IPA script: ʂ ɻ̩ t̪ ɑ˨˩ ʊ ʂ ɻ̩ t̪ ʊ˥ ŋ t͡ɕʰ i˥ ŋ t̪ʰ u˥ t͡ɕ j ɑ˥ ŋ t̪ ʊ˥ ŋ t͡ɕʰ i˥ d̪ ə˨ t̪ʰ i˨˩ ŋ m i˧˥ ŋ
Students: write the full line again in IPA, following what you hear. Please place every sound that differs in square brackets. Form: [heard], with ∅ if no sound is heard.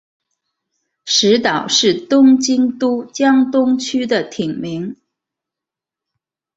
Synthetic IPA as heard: ʂ ɻ̩ t̪ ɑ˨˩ ʊ ʂ ɻ̩ t̪ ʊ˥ ŋ [t͡ɕ] i˥ ŋ [t̪] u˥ t͡ɕ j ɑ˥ ŋ t̪ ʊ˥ ŋ t͡ɕʰ [y˥] d̪ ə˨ t̪ʰ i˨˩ ŋ m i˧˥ ŋ

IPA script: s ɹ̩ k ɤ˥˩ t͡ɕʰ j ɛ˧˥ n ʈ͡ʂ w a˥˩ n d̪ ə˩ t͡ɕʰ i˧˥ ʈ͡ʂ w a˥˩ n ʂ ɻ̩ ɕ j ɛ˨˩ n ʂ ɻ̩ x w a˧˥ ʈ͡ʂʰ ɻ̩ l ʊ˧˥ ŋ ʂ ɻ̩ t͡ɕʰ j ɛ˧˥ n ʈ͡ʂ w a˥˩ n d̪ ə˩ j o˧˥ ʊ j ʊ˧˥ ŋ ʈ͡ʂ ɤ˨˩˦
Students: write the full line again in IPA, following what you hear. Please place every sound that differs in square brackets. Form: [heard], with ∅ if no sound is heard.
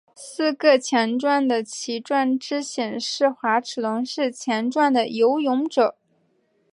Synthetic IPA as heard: s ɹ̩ k ɤ˥˩ t͡ɕʰ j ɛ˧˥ n ʈ͡ʂ w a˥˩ n d̪ ə˩ t͡ɕʰ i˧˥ ʈ͡ʂ w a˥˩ n [ʈ͡ʂ] ɻ̩ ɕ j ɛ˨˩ n ʂ ɻ̩ x w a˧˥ ʈ͡ʂʰ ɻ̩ l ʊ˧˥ ŋ ʂ ɻ̩ t͡ɕʰ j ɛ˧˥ n ʈ͡ʂ w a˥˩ n d̪ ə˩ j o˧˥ ʊ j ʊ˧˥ ŋ ʈ͡ʂ ɤ˨˩˦

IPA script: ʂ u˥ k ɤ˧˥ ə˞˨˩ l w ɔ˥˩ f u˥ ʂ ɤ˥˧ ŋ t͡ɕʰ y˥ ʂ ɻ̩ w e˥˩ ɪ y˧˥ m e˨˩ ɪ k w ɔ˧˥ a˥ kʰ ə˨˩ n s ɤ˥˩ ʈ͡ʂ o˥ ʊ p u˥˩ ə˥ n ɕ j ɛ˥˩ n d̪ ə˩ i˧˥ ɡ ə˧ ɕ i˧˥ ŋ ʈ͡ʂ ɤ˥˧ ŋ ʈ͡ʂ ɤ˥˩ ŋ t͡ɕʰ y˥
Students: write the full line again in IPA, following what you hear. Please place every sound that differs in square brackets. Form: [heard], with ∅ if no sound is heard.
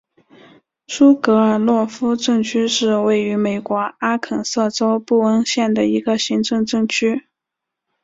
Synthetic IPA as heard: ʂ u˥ k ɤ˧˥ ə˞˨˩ l w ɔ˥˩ f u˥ [ʈ͡ʂ] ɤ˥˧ ŋ t͡ɕʰ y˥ ʂ ɻ̩ w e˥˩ ɪ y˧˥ m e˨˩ ɪ k w ɔ˧˥ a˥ kʰ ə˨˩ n s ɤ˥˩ ʈ͡ʂ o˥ ʊ p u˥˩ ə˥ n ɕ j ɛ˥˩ n d̪ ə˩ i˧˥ ɡ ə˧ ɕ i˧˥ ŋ ʈ͡ʂ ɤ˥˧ ŋ ʈ͡ʂ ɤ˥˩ ŋ t͡ɕʰ y˥

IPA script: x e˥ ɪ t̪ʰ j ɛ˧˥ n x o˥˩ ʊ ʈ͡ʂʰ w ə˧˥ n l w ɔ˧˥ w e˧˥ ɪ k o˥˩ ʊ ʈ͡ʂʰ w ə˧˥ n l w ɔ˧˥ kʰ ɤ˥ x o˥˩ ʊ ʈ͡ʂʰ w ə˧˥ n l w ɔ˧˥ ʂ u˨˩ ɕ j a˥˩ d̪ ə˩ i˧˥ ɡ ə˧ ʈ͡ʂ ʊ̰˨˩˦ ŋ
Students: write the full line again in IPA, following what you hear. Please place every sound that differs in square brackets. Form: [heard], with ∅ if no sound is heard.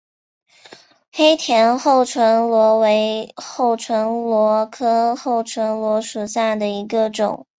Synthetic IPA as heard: x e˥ ɪ t̪ʰ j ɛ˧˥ n x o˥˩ ʊ ʈ͡ʂʰ w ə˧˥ n l w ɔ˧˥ w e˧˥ ɪ [x] o˥˩ ʊ ʈ͡ʂʰ w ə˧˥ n l w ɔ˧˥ kʰ ɤ˥ x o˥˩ ʊ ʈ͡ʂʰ w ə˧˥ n l w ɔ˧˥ ʂ u˨˩ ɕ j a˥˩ d̪ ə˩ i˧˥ ɡ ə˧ ʈ͡ʂ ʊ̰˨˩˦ ŋ

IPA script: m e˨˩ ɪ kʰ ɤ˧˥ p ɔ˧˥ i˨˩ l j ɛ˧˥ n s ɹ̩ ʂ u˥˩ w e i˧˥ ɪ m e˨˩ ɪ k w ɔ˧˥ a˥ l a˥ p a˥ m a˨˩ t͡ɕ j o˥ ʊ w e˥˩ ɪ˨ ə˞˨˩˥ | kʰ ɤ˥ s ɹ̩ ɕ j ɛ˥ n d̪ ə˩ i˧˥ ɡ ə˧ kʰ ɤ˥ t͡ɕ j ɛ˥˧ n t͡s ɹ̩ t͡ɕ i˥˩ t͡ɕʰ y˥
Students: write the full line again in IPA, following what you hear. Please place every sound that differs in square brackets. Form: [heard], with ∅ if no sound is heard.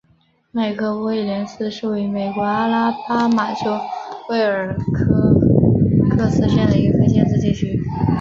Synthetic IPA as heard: m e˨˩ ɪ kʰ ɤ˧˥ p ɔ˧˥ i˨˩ l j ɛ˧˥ n s ɹ̩ ʂ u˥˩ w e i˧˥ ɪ m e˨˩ ɪ k w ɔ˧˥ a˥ l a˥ p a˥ m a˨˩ t͡ɕ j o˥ ʊ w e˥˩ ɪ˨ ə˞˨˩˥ | kʰ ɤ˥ s ɹ̩ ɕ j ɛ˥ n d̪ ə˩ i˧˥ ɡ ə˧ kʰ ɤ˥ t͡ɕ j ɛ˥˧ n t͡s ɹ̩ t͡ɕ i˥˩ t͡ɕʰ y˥

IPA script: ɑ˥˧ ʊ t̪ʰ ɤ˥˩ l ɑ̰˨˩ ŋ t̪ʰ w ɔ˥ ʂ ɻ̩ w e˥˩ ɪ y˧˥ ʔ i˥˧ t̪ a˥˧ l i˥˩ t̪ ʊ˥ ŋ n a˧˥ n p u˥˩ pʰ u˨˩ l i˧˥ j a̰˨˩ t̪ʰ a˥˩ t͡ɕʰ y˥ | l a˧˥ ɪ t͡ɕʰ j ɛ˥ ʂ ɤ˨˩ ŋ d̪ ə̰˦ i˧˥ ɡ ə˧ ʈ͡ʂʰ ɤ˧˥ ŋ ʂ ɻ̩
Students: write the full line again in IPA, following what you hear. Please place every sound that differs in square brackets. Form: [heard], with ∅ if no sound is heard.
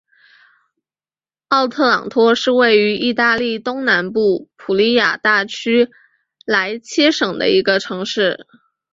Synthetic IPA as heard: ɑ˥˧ ʊ t̪ʰ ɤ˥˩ l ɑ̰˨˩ ŋ t̪ʰ w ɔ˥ ʂ ɻ̩ w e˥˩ ɪ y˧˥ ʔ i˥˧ t̪ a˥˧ l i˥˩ t̪ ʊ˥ ŋ n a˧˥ n p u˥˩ pʰ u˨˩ l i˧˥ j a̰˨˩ [t̪] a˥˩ t͡ɕʰ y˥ | l a˧˥ ɪ t͡ɕʰ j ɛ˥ ʂ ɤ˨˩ ŋ d̪ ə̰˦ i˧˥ ɡ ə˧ ʈ͡ʂʰ ɤ˧˥ ŋ ʂ ɻ̩

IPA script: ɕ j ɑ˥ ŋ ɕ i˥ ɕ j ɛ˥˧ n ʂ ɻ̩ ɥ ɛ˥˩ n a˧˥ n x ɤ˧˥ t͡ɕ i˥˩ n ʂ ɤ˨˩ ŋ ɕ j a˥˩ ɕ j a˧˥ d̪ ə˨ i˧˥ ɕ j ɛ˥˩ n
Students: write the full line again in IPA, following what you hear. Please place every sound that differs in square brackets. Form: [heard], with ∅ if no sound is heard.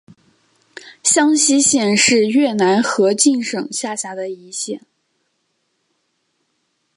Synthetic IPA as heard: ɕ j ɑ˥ ŋ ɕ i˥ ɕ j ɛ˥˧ n ʂ ɻ̩ ɥ ɛ˥˩ n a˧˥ n x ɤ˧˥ t͡ɕ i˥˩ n ʂ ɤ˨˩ ŋ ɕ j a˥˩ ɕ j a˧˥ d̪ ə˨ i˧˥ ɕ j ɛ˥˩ n

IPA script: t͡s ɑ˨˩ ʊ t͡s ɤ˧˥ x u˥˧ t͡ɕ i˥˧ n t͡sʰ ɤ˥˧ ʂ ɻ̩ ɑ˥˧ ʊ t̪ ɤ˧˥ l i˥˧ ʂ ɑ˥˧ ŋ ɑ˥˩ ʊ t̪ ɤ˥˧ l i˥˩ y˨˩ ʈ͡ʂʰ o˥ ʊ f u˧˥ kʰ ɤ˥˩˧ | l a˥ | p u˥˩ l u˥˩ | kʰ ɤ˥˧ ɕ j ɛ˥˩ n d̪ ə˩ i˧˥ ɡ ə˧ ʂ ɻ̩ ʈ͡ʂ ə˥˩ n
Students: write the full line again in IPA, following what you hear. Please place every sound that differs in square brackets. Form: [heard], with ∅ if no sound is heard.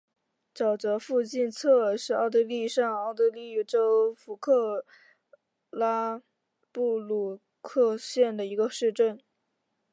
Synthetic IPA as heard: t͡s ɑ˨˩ ʊ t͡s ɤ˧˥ [f] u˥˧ t͡ɕ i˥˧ n t͡sʰ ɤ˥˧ ʂ ɻ̩ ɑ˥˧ ʊ t̪ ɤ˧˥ l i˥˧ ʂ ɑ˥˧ ŋ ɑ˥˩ ʊ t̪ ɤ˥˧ l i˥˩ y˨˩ [ʈ͡ʂ] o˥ ʊ f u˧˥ kʰ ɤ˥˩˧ | l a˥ | p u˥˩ l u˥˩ | kʰ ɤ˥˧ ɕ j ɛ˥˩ n d̪ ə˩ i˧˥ ɡ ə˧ ʂ ɻ̩ ʈ͡ʂ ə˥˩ n

